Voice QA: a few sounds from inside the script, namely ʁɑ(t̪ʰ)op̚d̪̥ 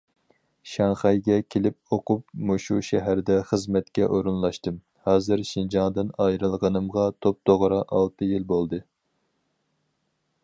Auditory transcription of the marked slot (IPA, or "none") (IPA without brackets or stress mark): t̪ʰ